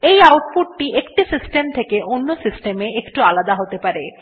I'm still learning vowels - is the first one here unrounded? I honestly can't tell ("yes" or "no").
yes